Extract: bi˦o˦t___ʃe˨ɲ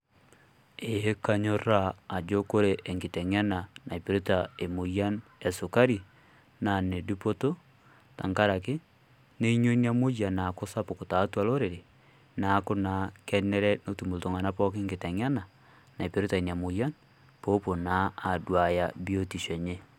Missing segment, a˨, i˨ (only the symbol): i˨